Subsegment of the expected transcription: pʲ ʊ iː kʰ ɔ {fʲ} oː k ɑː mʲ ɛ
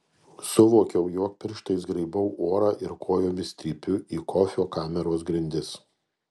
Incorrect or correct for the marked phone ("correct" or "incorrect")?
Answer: correct